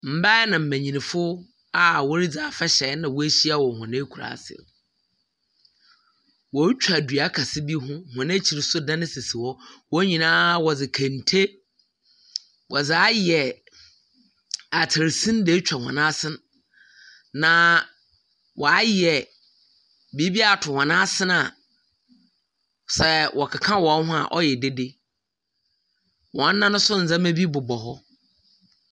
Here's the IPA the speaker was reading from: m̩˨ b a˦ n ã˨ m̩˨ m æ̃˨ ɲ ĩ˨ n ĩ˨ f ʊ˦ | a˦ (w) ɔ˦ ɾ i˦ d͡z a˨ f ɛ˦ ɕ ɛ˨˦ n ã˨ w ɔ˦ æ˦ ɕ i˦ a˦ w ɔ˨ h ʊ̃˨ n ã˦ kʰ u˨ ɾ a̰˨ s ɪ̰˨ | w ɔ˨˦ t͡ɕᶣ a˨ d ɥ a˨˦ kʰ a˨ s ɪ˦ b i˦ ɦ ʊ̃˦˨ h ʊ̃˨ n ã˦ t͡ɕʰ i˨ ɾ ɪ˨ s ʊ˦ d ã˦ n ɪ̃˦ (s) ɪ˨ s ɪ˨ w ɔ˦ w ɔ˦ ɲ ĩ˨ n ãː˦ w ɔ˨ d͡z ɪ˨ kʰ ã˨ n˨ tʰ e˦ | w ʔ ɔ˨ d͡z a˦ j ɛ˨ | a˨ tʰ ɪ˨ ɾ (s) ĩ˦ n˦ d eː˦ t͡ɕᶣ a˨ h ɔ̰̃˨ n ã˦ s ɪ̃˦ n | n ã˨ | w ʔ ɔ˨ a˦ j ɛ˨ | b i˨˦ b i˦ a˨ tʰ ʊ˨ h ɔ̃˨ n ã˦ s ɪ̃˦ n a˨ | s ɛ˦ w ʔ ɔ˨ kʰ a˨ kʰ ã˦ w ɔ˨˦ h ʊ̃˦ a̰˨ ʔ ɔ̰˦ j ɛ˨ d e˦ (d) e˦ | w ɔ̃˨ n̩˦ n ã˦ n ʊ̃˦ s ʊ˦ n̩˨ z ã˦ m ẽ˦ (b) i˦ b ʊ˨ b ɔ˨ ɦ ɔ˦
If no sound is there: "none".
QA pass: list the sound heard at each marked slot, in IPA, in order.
w, s, s, d, b

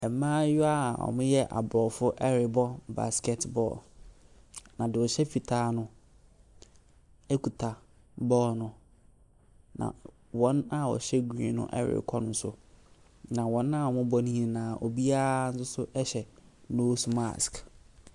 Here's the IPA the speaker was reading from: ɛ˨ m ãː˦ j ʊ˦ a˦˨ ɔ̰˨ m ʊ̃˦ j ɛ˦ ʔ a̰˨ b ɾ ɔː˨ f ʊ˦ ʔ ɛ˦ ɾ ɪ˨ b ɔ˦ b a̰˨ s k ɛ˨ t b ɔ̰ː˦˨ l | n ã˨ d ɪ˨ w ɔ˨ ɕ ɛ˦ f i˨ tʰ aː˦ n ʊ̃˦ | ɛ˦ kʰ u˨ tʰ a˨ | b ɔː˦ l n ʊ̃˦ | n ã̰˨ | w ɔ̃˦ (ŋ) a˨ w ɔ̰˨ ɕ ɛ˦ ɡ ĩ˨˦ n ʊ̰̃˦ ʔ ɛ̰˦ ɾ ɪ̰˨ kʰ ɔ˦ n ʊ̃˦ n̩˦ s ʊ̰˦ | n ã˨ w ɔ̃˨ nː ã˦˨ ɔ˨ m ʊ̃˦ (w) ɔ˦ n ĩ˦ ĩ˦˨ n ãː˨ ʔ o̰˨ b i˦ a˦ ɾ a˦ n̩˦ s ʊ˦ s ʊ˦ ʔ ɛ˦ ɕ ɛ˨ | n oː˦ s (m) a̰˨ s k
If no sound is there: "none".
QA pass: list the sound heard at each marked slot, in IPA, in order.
n, b, m

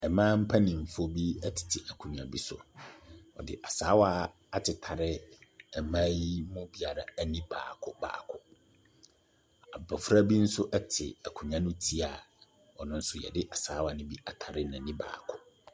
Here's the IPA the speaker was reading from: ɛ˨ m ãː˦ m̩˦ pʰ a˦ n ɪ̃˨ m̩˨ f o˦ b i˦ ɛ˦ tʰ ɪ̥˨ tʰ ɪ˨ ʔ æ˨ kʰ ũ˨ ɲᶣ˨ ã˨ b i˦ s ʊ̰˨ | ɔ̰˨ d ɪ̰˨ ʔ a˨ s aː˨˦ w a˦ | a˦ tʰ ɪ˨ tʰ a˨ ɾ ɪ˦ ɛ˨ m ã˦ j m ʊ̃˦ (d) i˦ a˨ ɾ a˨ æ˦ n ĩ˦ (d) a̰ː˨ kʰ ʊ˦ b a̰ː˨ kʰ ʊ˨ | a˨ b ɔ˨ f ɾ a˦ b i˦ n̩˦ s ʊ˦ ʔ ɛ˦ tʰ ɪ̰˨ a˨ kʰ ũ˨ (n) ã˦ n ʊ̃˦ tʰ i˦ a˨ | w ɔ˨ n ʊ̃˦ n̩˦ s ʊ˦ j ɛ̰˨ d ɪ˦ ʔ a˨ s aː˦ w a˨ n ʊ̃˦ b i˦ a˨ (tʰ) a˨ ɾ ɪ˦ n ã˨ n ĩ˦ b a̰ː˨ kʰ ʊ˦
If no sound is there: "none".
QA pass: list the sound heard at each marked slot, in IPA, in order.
b, b, ɲ, tʰ

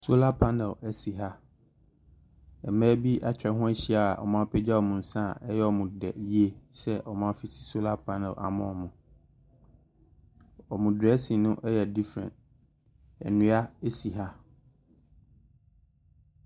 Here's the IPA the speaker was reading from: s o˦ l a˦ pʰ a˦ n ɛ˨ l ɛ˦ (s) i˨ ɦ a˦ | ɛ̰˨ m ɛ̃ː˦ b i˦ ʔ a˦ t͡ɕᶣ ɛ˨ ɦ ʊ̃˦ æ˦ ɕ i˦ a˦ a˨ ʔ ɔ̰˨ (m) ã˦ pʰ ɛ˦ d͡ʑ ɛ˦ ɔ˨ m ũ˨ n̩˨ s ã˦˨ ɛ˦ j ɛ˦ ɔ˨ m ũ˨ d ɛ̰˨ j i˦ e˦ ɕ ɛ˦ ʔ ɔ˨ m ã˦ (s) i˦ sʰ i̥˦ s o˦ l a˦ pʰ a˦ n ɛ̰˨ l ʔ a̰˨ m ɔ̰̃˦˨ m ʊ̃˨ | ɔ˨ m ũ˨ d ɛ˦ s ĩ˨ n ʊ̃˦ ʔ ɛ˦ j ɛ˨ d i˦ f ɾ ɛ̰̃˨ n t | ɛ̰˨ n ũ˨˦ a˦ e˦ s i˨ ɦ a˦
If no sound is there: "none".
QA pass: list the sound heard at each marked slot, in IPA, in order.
s, m, f

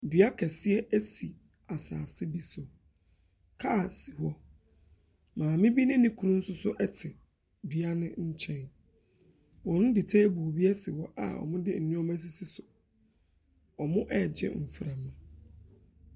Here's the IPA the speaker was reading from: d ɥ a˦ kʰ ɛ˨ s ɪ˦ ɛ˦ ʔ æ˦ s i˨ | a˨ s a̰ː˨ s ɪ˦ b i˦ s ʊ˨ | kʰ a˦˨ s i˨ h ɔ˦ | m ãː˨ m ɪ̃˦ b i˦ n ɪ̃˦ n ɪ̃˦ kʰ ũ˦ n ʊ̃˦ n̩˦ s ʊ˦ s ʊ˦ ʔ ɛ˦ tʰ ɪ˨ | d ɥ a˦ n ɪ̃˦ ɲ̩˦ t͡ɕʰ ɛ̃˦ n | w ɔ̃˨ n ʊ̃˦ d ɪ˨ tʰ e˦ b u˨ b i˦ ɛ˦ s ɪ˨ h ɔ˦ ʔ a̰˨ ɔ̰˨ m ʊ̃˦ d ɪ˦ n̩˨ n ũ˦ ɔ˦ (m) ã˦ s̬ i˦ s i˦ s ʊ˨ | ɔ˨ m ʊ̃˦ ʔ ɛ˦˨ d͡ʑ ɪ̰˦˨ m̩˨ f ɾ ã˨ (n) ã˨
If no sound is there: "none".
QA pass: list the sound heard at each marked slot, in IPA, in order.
m, m

